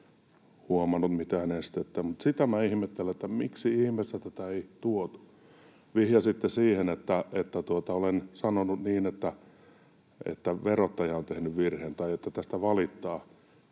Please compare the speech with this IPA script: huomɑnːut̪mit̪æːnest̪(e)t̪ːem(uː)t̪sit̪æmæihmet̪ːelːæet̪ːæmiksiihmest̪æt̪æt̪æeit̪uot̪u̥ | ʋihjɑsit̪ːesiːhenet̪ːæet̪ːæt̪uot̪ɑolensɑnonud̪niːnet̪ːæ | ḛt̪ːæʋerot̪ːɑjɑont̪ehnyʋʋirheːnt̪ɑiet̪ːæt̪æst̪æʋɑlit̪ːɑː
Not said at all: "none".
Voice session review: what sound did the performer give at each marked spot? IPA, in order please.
e, u

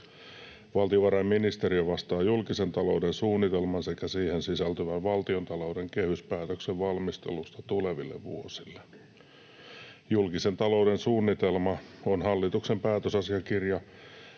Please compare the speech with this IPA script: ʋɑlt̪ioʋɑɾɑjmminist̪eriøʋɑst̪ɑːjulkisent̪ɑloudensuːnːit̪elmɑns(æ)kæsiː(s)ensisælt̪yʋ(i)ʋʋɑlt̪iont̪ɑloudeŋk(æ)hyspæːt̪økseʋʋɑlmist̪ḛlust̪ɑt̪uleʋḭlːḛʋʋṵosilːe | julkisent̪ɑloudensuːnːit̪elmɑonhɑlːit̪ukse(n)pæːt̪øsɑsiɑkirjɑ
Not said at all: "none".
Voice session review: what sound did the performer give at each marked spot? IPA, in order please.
e, h, æ, e, m

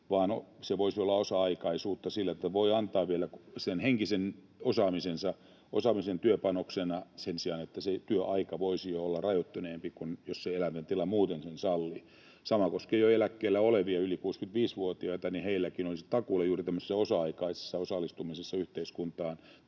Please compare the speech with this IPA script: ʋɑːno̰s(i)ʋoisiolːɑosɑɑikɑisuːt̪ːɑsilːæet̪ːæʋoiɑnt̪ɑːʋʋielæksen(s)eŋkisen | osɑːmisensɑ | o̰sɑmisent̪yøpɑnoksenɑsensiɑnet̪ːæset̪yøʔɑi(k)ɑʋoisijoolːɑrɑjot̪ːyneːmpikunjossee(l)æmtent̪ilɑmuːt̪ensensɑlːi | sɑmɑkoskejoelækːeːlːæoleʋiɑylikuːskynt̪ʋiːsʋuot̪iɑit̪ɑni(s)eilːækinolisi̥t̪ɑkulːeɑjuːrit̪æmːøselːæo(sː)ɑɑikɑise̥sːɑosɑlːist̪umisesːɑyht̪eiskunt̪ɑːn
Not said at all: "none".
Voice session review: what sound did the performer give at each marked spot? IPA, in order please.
e, h, k, l, h, s

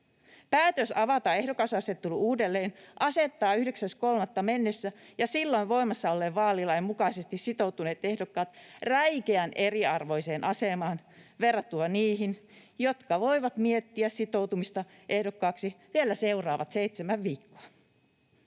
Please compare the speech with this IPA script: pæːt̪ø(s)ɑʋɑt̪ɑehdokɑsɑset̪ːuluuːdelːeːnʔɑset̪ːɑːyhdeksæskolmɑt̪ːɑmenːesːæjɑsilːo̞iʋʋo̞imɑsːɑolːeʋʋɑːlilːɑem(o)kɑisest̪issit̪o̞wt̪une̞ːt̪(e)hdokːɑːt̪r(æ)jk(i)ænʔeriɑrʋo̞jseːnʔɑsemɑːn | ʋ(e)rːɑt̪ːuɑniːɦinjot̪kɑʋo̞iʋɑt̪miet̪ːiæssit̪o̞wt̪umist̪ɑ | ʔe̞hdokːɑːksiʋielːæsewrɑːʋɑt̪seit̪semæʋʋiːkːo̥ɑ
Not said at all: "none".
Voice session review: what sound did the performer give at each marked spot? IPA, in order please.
s, u, e, æ, e, e

